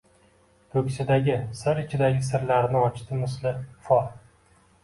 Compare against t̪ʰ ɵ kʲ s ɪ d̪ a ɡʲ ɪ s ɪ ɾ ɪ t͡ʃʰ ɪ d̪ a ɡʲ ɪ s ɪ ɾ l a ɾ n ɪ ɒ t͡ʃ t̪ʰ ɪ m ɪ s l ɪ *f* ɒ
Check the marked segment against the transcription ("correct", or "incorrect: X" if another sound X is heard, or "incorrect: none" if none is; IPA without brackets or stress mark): correct